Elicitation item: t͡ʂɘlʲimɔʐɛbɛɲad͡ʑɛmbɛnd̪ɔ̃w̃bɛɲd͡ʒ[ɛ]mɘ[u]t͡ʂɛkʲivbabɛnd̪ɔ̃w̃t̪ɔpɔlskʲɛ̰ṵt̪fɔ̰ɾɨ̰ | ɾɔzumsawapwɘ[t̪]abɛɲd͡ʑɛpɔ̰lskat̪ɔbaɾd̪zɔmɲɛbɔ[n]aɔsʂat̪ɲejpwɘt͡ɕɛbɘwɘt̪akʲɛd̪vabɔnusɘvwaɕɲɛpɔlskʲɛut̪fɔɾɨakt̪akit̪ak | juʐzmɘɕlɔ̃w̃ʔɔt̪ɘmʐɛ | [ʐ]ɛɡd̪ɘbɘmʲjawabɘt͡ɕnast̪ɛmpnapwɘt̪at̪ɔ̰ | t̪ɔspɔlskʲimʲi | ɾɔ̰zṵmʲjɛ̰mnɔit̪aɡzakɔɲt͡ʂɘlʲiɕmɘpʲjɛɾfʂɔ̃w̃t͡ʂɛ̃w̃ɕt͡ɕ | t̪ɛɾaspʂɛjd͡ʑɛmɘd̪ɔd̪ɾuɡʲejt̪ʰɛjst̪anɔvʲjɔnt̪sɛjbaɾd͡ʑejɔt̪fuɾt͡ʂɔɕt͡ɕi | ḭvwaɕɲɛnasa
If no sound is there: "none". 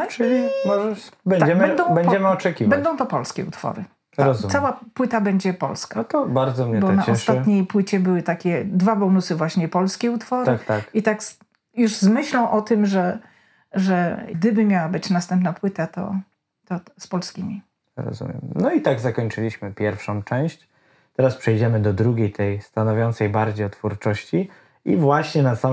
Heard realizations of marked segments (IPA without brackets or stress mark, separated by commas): ɛ, ɔ, t̪, n, ʐ